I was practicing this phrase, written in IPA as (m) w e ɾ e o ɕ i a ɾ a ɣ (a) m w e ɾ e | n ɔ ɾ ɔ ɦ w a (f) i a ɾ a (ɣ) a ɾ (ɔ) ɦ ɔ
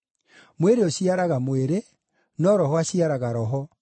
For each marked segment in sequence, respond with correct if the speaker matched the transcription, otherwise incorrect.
correct, correct, incorrect: ɕ, correct, correct

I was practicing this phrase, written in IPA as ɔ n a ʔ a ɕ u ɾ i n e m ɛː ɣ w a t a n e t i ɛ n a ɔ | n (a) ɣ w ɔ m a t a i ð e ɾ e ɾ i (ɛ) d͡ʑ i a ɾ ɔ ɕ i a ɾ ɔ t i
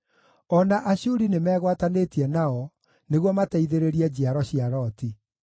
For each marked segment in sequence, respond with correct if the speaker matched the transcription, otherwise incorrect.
incorrect: e, correct

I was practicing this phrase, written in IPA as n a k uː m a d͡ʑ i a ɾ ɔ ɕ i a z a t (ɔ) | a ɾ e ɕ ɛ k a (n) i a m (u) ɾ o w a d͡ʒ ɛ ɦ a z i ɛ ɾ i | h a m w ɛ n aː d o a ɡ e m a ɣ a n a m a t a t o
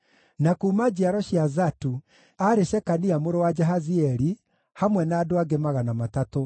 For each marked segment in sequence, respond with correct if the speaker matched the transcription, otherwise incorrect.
incorrect: u, correct, incorrect: o

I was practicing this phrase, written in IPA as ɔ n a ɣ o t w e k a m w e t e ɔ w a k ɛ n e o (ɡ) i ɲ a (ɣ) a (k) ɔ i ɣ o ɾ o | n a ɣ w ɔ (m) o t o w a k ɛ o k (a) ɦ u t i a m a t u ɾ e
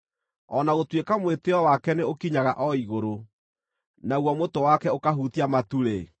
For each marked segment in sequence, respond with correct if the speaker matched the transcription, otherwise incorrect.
incorrect: k, correct, incorrect: ʔ, correct, correct

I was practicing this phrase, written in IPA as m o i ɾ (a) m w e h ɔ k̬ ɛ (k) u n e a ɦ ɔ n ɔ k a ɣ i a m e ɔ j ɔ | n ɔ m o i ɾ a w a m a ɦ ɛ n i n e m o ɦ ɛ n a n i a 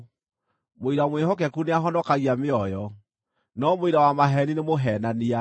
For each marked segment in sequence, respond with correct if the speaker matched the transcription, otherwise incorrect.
correct, correct

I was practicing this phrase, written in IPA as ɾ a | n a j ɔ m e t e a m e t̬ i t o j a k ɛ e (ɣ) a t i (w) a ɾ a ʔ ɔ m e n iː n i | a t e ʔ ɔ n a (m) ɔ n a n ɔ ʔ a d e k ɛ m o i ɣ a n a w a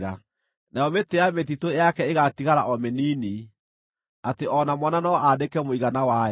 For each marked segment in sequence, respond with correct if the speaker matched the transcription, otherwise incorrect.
correct, incorrect: ɣ, correct

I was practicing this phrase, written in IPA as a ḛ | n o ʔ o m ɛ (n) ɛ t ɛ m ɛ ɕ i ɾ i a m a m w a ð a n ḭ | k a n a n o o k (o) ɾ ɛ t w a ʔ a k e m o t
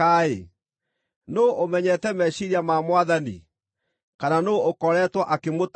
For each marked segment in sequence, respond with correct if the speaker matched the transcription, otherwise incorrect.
incorrect: ɲ, incorrect: ɔ

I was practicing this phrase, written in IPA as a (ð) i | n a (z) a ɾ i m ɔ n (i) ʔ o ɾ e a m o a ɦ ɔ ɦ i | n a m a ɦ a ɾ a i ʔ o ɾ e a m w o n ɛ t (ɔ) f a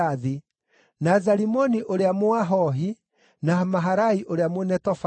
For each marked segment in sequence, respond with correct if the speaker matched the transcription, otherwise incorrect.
correct, correct, correct, correct

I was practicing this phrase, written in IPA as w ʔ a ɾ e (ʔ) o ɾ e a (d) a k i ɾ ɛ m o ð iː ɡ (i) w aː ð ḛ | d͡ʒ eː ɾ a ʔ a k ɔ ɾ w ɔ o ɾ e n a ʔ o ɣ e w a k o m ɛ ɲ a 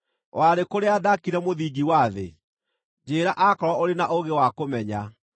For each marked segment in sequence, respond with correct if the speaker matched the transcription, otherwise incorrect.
incorrect: k, correct, correct

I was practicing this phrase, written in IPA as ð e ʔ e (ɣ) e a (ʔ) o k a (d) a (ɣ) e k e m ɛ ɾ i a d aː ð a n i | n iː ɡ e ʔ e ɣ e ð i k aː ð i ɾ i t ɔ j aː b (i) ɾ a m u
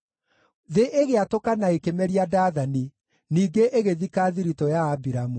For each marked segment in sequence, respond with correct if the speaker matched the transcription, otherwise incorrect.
correct, incorrect: t, incorrect: n, incorrect: none, correct

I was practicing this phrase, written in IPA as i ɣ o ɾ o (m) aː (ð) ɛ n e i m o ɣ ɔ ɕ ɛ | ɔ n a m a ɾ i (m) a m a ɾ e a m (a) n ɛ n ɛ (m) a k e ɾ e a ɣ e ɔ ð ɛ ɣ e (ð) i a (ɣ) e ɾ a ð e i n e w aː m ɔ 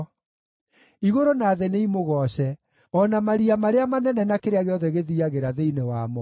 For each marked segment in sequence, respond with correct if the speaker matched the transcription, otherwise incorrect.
incorrect: n, correct, incorrect: none, correct, incorrect: n, correct, correct

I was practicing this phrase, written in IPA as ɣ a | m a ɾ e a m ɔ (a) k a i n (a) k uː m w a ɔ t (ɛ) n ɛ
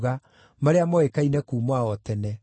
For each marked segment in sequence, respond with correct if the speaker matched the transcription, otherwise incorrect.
incorrect: e, incorrect: ɛ, correct

